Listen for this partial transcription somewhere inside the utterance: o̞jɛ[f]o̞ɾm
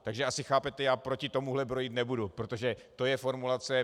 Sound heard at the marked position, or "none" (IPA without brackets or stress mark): f